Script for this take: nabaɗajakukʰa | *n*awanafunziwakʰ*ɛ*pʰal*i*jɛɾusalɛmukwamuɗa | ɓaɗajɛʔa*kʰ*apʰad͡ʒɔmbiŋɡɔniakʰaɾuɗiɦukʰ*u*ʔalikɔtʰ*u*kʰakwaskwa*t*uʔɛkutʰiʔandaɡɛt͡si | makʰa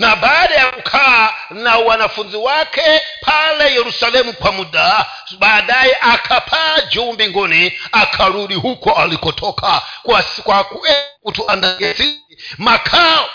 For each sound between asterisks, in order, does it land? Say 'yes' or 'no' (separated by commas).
yes, yes, no, yes, no, no, no